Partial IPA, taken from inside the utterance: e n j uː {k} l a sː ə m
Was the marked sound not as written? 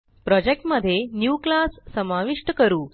no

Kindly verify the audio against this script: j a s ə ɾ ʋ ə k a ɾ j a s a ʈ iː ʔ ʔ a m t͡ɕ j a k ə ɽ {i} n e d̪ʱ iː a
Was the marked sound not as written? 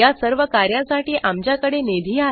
yes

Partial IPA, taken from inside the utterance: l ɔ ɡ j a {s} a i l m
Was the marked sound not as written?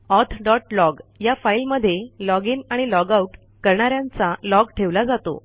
yes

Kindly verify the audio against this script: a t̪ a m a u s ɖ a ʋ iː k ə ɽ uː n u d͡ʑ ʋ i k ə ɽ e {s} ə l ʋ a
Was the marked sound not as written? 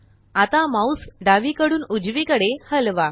yes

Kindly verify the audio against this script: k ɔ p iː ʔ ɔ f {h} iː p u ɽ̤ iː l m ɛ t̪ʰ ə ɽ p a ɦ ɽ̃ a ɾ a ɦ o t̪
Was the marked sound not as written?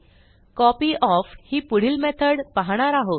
no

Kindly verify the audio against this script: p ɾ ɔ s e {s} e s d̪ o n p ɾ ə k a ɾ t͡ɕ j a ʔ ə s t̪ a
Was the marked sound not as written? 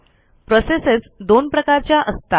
no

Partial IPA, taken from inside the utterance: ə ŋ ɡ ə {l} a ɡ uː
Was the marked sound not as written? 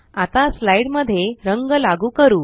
no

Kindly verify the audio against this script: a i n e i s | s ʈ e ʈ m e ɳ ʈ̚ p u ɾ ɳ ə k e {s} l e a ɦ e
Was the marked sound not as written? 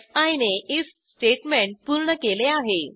yes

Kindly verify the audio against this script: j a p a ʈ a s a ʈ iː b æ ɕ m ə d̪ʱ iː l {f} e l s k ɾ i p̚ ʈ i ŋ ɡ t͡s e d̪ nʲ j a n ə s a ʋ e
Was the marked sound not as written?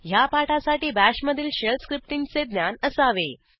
yes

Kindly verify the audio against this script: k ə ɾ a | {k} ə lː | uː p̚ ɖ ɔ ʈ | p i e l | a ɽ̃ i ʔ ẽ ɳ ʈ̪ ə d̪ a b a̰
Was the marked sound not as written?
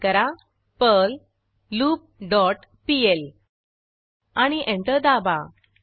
yes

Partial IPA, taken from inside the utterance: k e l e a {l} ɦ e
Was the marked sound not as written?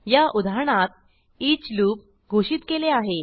yes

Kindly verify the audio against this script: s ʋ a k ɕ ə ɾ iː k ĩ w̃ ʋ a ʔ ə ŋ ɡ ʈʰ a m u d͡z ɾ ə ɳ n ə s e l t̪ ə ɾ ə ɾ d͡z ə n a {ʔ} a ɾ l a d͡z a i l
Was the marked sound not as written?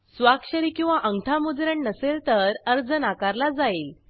yes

